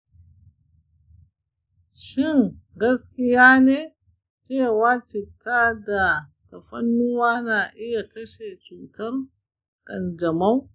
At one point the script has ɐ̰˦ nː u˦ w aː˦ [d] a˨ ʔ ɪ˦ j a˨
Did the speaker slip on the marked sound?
yes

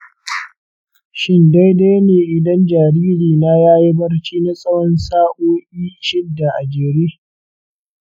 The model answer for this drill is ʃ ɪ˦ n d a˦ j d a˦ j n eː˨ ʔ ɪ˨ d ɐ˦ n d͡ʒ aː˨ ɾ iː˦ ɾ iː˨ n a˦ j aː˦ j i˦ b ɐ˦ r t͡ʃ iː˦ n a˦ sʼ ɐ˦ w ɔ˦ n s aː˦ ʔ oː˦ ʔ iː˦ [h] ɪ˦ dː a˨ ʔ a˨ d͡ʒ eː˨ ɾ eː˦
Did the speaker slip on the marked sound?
yes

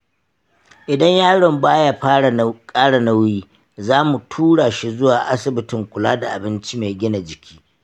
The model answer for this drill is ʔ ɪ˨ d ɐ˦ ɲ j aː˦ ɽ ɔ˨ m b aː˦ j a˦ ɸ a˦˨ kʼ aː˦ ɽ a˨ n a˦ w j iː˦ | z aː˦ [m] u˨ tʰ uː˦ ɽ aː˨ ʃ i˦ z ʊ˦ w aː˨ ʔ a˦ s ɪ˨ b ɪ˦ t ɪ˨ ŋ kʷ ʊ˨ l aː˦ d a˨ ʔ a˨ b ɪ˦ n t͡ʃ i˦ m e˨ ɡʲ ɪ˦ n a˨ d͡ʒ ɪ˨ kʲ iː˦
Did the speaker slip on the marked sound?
no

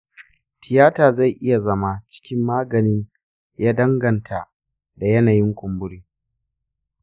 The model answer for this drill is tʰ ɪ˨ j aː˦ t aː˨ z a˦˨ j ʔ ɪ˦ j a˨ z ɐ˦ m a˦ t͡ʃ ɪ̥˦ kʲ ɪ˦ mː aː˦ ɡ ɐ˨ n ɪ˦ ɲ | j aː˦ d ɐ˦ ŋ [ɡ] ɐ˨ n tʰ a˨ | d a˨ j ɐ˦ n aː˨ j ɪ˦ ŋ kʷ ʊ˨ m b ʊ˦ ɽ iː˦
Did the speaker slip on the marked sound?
no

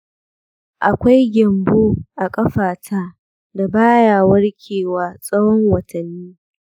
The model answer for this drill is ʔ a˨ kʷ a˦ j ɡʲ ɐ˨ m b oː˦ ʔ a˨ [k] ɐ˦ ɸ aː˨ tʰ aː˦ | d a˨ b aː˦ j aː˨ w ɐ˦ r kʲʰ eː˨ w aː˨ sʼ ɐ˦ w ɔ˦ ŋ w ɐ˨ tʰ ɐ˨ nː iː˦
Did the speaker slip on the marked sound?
yes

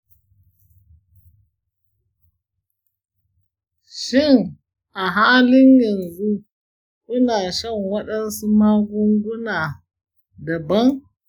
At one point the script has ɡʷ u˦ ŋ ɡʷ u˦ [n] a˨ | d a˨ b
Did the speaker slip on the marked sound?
no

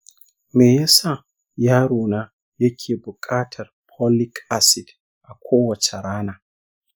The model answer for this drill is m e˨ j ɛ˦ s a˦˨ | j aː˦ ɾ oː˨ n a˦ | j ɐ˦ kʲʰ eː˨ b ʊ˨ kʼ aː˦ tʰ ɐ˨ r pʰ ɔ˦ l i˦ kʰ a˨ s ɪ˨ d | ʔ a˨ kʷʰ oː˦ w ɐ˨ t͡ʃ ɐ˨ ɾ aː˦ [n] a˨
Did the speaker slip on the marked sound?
no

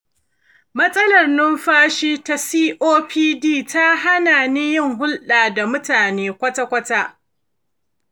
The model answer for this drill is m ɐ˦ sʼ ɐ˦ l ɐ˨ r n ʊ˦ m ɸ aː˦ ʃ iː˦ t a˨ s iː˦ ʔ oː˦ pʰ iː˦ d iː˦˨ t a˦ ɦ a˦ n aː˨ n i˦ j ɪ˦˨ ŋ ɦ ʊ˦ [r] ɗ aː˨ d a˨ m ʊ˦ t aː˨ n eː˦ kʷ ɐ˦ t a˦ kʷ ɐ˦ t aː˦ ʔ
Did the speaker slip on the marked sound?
yes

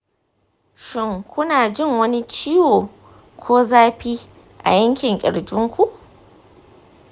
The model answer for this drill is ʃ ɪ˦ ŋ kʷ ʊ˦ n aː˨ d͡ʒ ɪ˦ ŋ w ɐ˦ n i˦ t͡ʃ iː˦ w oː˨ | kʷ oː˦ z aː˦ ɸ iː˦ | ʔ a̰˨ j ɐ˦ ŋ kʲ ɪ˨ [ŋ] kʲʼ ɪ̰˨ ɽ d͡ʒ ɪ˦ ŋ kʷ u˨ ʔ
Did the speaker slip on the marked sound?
no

